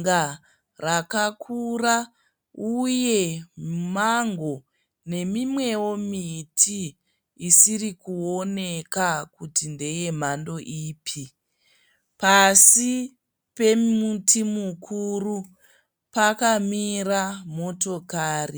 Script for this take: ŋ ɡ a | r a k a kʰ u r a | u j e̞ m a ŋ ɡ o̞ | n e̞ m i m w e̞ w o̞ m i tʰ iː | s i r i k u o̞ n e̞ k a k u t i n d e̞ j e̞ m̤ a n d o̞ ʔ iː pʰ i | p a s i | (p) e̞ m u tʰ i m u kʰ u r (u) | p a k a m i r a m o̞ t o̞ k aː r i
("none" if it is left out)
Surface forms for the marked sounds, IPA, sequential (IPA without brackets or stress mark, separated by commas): p, u